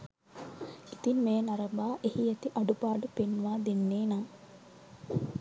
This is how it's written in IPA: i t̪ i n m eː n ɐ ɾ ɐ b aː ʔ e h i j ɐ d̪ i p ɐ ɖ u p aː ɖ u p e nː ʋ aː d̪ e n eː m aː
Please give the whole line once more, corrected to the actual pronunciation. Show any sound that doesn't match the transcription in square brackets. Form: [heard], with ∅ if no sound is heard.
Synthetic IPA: i t̪ i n m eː n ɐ ɾ ɐ b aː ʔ e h i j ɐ [t̪] i [ʔ] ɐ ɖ u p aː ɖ u p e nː ʋ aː d̪ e [nː] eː [n] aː

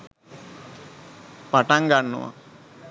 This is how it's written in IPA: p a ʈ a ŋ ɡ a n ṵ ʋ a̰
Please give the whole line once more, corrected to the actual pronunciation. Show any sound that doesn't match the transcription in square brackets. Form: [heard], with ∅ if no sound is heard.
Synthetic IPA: p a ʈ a ŋ ɡ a [nː] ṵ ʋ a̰

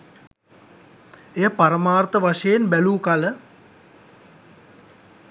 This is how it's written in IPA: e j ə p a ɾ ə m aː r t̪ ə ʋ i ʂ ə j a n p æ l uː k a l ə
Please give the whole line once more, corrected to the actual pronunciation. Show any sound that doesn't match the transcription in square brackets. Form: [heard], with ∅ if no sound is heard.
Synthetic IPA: e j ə p a ɾ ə m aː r t̪ ə ʋ [a] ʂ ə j [e] n [b] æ l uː k a l ə

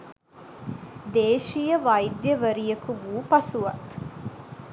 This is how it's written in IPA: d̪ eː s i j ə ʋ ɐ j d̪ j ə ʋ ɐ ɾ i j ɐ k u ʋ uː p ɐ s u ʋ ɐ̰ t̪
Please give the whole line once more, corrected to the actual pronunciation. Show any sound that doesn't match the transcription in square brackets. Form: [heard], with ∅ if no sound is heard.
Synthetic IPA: d̪ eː [ʃ] i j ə ʋ ɐ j d̪ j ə ʋ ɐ ɾ i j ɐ k u ʋ uː p ɐ s u ʋ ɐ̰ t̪

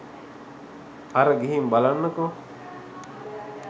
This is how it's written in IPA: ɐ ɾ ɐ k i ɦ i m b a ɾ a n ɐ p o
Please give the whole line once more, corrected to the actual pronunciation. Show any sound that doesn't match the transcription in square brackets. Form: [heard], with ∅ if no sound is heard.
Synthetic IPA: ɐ ɾ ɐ [ɡ] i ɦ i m b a [l] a [nː] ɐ [k] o

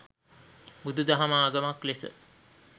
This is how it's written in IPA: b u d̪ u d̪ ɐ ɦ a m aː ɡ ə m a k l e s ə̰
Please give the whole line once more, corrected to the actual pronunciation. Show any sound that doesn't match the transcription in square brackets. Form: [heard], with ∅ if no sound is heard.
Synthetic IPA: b u d̪ u d̪ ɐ ɦ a m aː ɡ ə m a k l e s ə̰

